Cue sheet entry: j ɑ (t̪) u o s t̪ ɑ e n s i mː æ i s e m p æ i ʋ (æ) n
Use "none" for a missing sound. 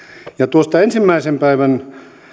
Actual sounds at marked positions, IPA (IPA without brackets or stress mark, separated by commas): t̪, æ